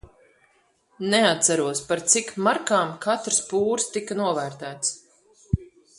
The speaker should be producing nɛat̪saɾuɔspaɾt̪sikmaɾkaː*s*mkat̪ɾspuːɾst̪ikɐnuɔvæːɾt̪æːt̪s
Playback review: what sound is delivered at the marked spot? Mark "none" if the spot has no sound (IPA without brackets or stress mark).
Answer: none